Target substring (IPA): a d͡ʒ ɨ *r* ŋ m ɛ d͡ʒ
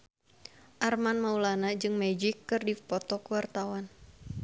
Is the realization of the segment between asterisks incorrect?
yes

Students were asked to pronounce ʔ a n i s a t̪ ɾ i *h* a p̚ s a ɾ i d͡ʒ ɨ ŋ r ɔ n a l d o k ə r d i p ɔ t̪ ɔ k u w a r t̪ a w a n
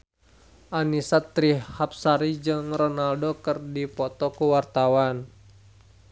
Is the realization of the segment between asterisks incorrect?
no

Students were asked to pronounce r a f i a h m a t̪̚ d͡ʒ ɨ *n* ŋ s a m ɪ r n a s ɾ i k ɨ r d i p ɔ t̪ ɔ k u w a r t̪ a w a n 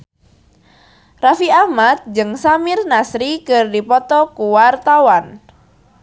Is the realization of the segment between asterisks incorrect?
yes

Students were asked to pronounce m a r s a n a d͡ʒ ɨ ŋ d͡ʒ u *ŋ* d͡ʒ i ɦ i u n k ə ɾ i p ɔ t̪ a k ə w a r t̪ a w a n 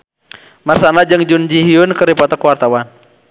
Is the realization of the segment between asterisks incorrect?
yes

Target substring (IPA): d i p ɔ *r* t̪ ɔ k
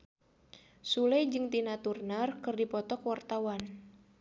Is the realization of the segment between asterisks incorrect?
yes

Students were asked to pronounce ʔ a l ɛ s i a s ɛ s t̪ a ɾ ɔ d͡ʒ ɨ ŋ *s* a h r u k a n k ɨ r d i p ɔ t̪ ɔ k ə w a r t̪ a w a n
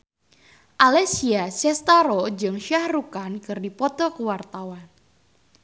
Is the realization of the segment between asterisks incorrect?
yes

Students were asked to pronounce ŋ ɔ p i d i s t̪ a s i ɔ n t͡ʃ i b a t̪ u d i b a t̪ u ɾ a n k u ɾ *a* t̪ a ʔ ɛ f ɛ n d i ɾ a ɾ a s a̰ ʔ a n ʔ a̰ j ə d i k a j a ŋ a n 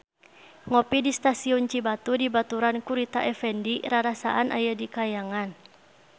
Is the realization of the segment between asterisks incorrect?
yes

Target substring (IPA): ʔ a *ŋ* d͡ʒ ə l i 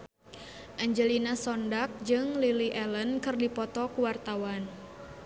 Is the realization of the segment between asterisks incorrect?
yes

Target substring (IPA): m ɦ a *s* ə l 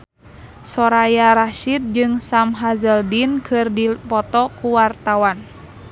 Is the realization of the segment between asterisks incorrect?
yes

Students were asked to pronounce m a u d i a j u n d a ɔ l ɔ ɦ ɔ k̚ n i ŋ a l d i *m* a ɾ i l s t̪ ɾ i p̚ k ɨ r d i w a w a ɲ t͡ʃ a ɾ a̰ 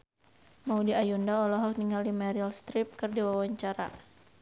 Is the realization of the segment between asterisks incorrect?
no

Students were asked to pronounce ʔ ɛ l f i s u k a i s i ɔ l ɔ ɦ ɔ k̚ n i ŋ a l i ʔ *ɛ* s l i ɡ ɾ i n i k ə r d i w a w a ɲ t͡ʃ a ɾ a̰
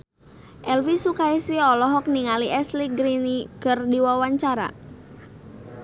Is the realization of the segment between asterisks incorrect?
no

